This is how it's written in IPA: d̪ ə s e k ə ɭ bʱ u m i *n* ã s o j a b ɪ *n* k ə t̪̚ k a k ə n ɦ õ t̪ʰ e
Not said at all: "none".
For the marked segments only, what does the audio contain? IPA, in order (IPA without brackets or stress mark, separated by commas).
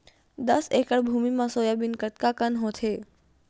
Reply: m, n